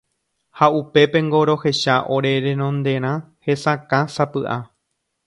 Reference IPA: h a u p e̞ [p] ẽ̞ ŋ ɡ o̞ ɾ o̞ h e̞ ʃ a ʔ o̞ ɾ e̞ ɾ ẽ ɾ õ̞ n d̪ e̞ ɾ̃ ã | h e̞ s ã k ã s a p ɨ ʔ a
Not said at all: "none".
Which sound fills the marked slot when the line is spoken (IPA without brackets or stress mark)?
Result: p